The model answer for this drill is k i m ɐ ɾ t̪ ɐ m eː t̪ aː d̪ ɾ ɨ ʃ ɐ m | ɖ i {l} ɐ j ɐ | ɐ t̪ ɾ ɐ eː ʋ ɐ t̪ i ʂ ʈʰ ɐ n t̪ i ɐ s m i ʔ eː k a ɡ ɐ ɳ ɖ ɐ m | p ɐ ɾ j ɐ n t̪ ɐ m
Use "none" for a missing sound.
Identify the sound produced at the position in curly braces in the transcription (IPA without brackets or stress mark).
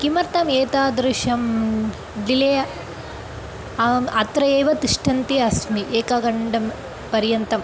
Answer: l